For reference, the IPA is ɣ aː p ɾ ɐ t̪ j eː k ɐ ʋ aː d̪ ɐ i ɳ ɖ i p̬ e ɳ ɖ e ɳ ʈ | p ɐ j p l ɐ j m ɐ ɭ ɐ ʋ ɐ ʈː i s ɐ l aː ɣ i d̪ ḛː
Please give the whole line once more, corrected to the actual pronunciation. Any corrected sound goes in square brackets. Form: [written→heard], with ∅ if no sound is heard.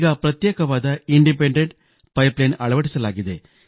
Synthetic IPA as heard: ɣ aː p ɾ ɐ t̪ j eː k ɐ ʋ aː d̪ ɐ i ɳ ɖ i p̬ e ɳ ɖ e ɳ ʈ | p ɐ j p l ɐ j [m→n] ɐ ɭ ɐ ʋ ɐ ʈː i s ɐ l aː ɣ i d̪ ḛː

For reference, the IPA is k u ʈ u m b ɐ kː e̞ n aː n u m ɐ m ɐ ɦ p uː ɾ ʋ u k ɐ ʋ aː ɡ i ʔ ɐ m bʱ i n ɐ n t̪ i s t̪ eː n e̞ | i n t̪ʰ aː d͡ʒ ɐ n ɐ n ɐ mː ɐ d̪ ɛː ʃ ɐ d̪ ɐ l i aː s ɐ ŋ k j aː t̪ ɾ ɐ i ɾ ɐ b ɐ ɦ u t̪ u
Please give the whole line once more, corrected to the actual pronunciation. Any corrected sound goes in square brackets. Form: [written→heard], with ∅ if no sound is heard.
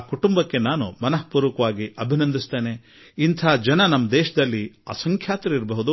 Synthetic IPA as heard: k u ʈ u m b ɐ kː e̞ n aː n u m ɐ [m→n] ɐ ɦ p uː ɾ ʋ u k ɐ ʋ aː ɡ i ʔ ɐ [m→∅] bʱ i n ɐ n [t̪→d̪] i s t̪ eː n e̞ | i n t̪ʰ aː d͡ʒ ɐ n ɐ n ɐ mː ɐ d̪ ɛː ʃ ɐ d̪ ɐ [l→lː] i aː s ɐ ŋ [k→kʰ] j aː t̪ ɾ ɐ i ɾ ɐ b ɐ ɦ u [t̪→d̪] u

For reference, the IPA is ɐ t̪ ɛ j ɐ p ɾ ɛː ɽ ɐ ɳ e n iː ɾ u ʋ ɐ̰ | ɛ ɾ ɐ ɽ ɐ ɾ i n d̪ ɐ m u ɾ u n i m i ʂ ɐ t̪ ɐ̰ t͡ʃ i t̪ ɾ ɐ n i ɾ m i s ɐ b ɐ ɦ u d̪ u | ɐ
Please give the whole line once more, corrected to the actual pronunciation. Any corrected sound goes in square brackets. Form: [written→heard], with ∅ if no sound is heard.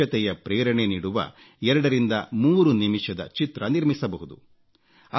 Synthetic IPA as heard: ɐ t̪ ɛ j ɐ p ɾ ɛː [ɽ→ɾ] ɐ ɳ e n iː [ɾ→ɽ] u ʋ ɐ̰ | ɛ ɾ ɐ ɽ ɐ ɾ i n d̪ ɐ m [u→uː] ɾ u n i m i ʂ ɐ [t̪→d̪] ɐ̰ t͡ʃ i t̪ ɾ ɐ n i ɾ m i s ɐ b ɐ ɦ u d̪ u | ɐ

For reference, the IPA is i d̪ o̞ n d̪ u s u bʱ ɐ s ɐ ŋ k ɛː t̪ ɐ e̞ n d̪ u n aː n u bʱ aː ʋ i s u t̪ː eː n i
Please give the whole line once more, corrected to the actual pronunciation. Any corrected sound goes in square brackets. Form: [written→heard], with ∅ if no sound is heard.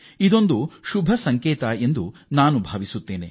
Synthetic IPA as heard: i d̪ o̞ n d̪ u [s→ʃ] u bʱ ɐ s ɐ ŋ k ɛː t̪ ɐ e̞ n d̪ u n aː n u bʱ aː ʋ i s u t̪ː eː n [i→e]

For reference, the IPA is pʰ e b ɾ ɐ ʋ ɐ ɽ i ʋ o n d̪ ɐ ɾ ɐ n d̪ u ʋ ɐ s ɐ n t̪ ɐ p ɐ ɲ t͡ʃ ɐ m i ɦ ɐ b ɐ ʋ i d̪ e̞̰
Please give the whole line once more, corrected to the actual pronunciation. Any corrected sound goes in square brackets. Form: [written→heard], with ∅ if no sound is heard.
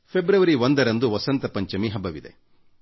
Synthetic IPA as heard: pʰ e b ɾ ɐ ʋ ɐ [ɽ→ɾ] i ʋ o n d̪ ɐ ɾ ɐ n d̪ u ʋ ɐ s ɐ n t̪ ɐ p ɐ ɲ t͡ʃ ɐ m i ɦ ɐ b ɐ ʋ i d̪ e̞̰

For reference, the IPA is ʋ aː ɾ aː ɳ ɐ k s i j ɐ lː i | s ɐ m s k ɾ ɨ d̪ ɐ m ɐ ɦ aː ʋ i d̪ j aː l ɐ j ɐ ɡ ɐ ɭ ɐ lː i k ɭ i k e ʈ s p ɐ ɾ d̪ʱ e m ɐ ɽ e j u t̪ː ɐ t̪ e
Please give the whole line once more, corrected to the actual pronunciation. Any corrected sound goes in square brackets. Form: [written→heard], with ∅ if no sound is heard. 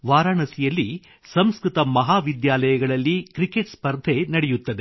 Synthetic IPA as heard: ʋ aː ɾ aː ɳ ɐ [k→∅] s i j ɐ lː i | s ɐ m s k ɾ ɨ [d̪→t̪] ɐ m ɐ ɦ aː ʋ i d̪ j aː l ɐ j ɐ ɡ ɐ ɭ ɐ lː i k [ɭ→ɾ] i k e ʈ s p ɐ ɾ d̪ʱ e [m→n] ɐ ɽ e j u t̪ː ɐ [t̪→d̪] e

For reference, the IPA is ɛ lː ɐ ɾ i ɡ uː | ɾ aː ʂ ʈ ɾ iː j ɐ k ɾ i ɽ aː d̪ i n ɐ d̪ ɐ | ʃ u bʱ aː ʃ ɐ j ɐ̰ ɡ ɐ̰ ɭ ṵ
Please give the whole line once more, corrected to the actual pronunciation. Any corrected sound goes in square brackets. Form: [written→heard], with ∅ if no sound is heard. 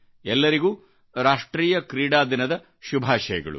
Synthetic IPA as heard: ɛ lː ɐ ɾ i ɡ uː | ɾ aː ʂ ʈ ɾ iː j ɐ k ɾ [i→iː] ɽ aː d̪ i n ɐ d̪ ɐ | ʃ u bʱ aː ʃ ɐ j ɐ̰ ɡ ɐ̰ ɭ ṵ

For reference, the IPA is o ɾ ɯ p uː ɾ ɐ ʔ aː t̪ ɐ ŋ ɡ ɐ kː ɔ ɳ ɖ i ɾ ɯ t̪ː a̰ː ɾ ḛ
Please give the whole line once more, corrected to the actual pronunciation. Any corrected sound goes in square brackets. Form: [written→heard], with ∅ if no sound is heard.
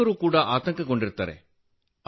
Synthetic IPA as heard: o ɾ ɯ [p→k] uː [ɾ→ɽ] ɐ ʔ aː t̪ ɐ ŋ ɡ ɐ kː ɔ ɳ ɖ [i→ɪ] ɾ ɯ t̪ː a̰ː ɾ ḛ

